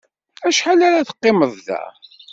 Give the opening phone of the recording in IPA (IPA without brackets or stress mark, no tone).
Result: æ